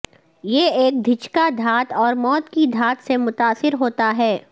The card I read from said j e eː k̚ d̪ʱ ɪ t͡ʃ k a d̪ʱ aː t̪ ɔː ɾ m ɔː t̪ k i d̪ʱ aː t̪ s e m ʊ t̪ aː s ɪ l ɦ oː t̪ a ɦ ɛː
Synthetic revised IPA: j e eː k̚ d̪ʱ ɪ t͡ʃ k a d̪ʱ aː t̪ ɔː ɾ m ɔː t̪ k i d̪ʱ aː t̪ s e m ʊ t̪ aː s ɪ ɾ ɦ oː t̪ a ɦ ɛː